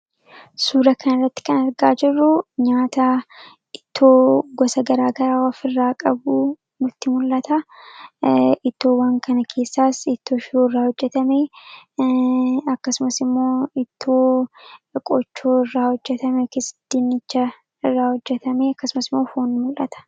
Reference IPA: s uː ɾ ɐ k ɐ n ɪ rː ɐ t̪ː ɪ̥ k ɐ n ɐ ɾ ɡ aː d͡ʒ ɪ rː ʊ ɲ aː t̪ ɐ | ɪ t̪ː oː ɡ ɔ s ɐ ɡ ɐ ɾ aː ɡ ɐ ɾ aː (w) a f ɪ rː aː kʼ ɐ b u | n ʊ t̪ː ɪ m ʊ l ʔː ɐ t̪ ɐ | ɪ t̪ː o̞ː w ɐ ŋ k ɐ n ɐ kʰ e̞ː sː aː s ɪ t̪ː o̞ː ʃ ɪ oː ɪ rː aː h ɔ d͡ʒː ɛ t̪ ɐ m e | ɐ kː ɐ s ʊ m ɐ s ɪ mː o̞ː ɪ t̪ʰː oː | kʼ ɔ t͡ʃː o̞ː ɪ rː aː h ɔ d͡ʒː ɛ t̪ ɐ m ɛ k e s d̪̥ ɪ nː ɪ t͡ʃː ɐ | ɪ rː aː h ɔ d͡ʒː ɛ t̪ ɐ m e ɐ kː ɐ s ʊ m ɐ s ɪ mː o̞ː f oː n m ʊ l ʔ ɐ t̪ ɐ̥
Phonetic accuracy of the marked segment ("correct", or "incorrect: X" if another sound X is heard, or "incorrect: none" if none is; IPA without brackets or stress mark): correct